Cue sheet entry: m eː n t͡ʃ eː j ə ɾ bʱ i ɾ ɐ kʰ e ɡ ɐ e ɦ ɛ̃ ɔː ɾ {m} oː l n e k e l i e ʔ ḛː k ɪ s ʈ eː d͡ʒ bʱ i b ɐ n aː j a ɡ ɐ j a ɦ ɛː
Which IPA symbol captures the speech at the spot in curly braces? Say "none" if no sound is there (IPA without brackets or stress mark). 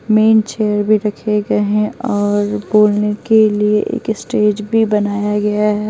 b